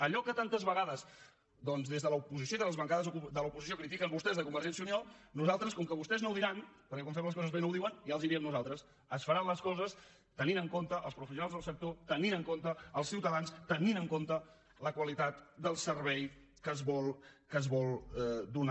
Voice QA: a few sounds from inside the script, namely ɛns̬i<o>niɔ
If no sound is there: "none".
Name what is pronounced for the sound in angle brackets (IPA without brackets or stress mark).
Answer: u